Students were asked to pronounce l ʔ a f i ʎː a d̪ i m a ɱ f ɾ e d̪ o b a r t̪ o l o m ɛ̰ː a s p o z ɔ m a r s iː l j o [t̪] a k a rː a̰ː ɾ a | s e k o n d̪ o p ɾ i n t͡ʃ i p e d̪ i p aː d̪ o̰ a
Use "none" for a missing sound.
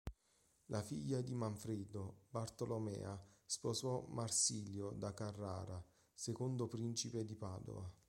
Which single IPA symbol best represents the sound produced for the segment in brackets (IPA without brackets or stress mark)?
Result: d̪